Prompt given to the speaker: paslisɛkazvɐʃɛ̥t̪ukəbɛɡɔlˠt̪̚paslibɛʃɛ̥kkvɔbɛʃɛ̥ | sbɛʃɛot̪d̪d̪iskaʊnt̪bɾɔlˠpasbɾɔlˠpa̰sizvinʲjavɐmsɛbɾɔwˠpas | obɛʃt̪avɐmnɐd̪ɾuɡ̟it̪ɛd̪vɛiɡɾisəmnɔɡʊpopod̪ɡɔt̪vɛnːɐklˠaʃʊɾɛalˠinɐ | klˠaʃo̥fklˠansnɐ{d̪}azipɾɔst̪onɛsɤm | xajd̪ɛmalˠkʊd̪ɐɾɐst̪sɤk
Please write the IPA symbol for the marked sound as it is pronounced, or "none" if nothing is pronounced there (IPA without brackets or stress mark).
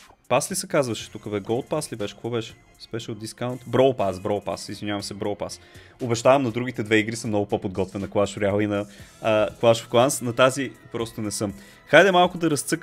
t̪